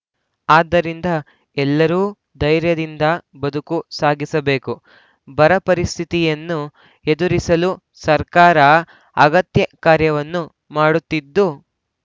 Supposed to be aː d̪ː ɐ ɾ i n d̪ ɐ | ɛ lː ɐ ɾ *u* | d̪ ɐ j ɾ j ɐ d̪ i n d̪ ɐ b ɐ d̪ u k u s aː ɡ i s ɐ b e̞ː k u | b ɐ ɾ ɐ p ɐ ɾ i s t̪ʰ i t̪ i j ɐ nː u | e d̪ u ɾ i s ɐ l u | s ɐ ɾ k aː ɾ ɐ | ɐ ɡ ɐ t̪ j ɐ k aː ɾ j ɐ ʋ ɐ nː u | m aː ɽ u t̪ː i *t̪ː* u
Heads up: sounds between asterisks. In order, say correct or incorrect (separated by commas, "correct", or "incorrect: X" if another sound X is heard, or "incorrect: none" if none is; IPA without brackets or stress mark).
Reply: incorrect: uː, incorrect: d̪ː